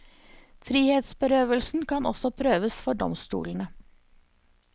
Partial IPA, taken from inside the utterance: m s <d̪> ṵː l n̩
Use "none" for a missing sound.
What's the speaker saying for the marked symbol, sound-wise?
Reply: t̪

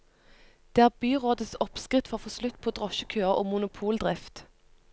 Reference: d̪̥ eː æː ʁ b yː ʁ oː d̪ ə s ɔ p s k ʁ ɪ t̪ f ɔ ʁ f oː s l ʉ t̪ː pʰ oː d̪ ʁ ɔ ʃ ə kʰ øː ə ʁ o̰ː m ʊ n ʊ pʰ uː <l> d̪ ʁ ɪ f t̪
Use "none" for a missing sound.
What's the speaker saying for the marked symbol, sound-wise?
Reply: l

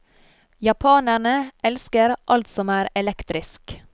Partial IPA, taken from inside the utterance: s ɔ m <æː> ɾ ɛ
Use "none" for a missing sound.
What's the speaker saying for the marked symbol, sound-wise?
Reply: æː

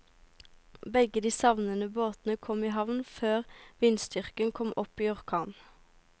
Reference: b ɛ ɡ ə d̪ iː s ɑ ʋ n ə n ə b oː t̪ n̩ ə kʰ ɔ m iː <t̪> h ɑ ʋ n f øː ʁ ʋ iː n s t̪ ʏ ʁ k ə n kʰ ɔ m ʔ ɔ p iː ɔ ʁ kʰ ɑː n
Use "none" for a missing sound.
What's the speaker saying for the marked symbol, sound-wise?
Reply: none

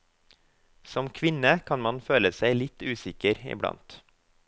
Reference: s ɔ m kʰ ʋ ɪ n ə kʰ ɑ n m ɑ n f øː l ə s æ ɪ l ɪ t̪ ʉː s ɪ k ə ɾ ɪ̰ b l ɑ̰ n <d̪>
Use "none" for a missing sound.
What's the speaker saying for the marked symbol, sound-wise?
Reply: t̪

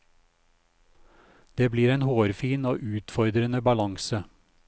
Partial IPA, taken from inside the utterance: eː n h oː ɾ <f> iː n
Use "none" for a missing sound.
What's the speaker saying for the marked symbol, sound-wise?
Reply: f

